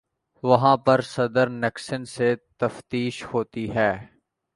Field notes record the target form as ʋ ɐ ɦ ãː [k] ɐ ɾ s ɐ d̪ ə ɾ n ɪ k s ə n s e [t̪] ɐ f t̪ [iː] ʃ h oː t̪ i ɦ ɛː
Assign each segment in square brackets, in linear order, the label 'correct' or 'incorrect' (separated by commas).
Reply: incorrect, correct, correct